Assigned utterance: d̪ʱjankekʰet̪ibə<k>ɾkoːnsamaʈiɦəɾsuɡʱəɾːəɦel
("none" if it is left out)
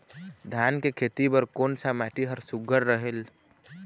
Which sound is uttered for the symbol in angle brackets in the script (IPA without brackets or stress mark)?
none